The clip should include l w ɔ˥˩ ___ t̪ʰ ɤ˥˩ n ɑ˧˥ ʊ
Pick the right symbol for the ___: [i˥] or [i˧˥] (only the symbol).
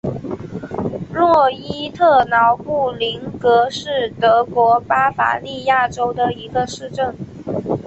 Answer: i˥